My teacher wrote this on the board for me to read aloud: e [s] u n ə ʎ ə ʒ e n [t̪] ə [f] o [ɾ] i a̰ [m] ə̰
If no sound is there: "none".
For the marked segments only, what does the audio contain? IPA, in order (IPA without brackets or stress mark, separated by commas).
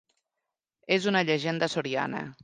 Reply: z, d̪, s, ɾ, n